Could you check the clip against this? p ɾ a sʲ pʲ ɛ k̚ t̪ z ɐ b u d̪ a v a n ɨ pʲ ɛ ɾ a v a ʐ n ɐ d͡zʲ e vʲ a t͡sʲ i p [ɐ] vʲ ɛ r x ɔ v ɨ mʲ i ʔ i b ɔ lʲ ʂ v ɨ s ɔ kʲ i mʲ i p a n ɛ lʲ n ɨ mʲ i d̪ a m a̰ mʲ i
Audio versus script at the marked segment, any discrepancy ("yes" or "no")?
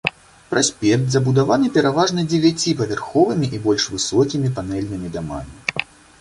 no